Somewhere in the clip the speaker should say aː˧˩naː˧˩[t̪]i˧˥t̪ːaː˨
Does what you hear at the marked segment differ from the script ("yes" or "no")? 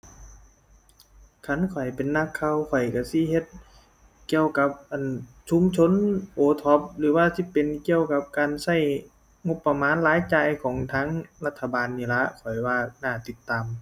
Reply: no